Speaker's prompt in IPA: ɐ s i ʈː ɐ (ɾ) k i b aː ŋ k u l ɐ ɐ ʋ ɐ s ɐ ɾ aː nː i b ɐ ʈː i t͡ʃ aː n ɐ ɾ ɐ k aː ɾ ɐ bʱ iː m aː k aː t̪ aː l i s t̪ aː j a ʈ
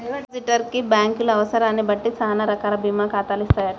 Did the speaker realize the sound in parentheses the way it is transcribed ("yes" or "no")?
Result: yes